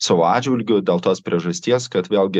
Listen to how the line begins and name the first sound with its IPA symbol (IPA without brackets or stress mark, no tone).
s